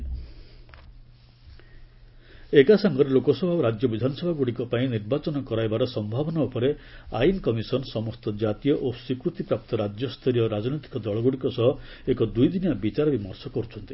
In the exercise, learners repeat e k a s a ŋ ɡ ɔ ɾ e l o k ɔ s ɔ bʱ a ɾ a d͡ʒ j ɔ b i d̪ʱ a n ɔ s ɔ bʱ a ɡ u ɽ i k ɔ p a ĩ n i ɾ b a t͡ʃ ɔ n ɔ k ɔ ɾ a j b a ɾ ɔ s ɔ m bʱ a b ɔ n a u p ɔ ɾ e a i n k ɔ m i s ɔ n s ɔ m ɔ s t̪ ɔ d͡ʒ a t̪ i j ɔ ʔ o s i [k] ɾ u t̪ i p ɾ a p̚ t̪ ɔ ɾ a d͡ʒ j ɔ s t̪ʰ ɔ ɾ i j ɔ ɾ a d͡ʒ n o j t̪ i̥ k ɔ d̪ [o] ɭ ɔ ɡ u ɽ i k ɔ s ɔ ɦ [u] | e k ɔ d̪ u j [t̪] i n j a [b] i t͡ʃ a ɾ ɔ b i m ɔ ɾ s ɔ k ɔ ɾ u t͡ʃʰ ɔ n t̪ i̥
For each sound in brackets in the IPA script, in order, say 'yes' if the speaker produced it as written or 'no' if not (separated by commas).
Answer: yes, no, no, no, yes